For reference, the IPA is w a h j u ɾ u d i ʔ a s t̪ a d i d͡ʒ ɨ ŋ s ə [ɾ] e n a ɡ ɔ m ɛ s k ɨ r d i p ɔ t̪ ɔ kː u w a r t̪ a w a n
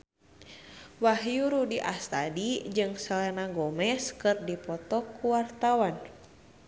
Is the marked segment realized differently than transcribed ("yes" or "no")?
yes